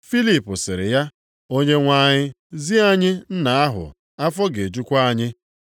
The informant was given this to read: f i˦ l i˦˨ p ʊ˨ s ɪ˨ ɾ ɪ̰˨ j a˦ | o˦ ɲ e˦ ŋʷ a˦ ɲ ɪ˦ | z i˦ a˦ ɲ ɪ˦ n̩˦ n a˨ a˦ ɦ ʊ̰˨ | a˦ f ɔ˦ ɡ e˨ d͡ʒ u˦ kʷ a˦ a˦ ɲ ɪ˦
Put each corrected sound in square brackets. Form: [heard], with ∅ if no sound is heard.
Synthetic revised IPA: f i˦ l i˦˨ p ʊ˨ s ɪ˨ ɾ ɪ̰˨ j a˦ | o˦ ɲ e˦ ŋʷ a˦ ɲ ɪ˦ | z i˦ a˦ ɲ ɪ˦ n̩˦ n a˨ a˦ ɦ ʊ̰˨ | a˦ f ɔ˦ ɡ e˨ d͡ʒ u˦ kʷ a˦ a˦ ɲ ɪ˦